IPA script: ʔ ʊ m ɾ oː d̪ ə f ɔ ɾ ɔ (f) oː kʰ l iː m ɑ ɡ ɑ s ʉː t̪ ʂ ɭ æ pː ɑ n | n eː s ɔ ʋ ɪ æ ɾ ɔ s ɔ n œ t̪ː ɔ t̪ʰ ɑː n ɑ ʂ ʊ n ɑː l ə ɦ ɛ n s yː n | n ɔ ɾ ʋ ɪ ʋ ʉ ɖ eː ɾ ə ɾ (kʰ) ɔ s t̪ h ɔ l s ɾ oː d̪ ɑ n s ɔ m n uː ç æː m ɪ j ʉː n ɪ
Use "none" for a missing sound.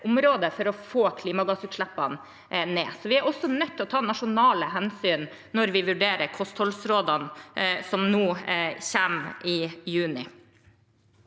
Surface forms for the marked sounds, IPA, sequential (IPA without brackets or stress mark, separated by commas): f, kʰ